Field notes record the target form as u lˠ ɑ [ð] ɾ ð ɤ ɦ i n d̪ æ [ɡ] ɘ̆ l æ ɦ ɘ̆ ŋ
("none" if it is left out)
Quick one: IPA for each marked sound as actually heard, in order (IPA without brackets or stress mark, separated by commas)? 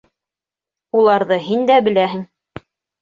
none, b